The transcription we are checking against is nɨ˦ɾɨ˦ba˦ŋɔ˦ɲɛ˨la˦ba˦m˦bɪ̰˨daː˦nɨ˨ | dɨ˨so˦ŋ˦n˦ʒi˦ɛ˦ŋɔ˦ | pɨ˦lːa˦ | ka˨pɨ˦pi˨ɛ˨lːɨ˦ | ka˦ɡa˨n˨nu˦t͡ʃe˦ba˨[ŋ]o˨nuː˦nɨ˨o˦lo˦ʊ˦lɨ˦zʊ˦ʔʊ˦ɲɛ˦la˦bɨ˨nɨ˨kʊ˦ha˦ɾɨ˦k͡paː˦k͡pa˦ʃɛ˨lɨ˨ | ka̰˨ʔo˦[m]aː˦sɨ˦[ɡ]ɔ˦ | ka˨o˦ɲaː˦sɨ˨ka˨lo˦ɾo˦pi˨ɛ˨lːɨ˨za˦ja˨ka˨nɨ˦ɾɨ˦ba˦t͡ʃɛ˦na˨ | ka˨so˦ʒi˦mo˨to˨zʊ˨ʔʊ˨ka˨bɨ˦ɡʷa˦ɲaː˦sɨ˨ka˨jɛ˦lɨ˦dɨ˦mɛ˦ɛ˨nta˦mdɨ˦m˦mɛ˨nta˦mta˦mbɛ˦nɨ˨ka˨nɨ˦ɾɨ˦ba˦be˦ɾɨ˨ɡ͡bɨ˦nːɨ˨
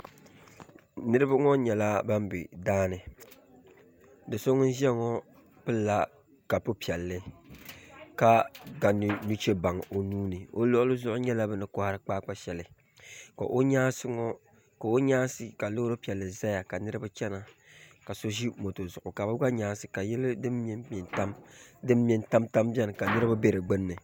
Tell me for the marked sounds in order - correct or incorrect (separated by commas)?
correct, incorrect, incorrect